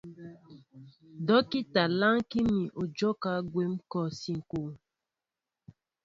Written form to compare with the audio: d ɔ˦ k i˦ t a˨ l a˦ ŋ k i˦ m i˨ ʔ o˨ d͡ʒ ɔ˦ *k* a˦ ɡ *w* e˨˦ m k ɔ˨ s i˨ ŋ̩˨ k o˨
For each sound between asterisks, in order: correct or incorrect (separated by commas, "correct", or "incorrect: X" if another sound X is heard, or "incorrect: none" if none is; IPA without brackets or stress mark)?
correct, correct